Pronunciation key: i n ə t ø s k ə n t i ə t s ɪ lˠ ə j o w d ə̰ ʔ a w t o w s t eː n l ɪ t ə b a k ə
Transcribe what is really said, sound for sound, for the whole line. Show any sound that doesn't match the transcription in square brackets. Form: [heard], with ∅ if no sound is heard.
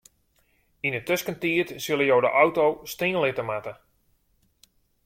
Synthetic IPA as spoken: i n ə t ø s k ə n t i ə t s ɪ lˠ ə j o w d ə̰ ʔ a w t o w s t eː n l ɪ t ə [m] a [t] ə